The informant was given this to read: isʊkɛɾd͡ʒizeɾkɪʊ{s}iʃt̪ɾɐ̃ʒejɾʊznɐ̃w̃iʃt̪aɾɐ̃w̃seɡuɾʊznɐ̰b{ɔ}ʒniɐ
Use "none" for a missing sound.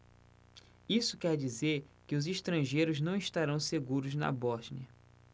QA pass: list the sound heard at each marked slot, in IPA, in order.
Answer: z, ɔ

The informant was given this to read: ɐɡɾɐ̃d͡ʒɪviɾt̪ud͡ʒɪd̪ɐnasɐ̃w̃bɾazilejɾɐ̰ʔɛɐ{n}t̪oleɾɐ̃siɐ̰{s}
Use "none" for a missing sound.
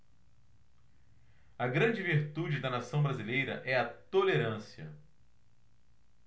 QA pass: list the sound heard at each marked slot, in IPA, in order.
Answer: none, none

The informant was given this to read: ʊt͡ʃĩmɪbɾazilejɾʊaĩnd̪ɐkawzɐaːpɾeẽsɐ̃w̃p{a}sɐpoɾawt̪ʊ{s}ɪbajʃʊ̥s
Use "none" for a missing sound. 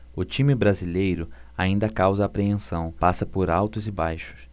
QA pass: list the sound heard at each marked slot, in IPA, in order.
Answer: a, z

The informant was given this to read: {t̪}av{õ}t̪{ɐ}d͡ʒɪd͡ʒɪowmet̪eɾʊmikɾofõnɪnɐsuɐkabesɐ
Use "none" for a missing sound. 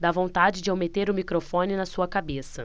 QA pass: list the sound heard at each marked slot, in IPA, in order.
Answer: d̪, õ, a

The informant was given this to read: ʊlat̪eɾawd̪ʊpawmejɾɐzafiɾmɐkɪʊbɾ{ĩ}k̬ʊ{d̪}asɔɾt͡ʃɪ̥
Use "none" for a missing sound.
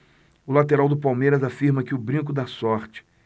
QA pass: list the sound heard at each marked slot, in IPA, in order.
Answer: ĩ, d̪

